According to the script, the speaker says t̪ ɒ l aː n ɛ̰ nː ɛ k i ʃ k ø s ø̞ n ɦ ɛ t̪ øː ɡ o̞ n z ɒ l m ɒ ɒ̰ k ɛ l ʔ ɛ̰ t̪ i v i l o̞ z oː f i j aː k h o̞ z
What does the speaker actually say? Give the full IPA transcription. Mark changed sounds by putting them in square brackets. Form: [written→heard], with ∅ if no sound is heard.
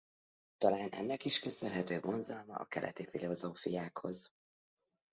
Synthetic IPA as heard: t̪ ɒ l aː n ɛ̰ nː ɛ k i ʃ k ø s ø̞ n ɦ ɛ t̪ øː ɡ o̞ n z ɒ l m ɒ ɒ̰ k ɛ l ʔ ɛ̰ t̪ i [v→f] i l o̞ z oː f i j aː k h o̞ z